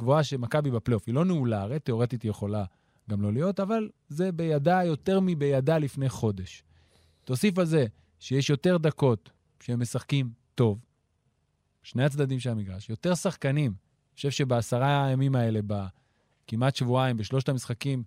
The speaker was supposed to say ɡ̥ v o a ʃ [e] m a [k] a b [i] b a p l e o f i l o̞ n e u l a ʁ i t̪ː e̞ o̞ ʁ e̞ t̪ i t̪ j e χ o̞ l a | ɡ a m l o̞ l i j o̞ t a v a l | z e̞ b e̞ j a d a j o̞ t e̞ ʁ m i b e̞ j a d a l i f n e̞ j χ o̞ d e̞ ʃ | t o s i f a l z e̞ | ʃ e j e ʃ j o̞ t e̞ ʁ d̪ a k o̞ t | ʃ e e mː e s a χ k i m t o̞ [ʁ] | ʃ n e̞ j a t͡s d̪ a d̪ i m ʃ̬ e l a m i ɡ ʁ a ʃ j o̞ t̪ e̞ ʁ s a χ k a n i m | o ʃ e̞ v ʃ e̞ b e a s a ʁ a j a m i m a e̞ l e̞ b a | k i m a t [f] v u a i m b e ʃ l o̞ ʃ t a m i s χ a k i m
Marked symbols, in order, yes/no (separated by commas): yes, yes, yes, no, no